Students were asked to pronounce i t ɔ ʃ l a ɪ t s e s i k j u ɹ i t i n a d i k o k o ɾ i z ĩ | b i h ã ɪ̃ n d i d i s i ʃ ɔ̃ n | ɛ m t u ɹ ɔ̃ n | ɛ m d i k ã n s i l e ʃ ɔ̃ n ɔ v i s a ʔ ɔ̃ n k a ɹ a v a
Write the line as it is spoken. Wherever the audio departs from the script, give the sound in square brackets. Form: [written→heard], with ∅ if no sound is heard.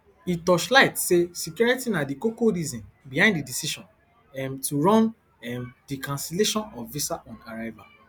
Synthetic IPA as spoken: i t ɔ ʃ l a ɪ t s e s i k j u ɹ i t i n a d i k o k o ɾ i z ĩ | b i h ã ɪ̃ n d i d i s i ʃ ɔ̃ n | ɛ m t u ɹ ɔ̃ n | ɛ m d i k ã n s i l e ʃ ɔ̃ n ɔ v i s a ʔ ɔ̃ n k a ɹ a v a